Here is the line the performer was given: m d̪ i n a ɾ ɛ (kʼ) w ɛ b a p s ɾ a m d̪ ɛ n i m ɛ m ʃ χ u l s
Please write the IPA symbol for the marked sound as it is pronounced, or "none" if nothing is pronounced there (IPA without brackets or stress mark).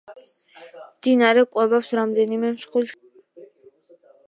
kʼ